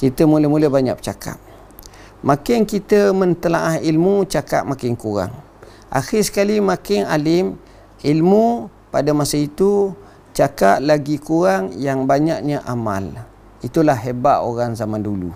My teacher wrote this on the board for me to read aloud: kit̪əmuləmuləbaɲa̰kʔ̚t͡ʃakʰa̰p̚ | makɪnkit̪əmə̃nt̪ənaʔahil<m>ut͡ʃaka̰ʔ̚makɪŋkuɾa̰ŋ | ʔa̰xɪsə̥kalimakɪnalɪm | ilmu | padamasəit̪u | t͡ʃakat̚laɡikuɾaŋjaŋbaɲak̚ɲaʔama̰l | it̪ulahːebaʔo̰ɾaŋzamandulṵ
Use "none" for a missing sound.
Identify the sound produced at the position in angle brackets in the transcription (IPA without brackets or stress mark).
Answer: m